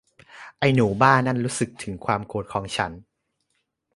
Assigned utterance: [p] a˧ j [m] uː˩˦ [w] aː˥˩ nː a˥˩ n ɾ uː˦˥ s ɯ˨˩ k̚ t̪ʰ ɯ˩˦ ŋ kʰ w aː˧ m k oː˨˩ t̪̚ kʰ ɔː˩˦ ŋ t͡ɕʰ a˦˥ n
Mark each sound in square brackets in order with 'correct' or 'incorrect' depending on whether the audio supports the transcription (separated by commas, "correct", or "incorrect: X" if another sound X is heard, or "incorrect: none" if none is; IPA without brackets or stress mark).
incorrect: ʔ, incorrect: n, incorrect: b